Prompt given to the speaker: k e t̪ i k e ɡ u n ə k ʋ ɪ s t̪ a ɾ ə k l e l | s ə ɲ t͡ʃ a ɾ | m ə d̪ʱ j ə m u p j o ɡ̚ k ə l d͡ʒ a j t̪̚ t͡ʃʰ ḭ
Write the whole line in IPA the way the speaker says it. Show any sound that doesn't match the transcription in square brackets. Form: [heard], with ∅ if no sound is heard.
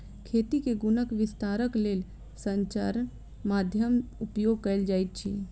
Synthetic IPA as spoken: [kʰ] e t̪ i k e ɡ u n ə k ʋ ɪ s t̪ a ɾ ə k l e l | s ə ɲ t͡ʃ a ɾ | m [a] d̪ʱ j ə m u p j o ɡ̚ k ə l d͡ʒ a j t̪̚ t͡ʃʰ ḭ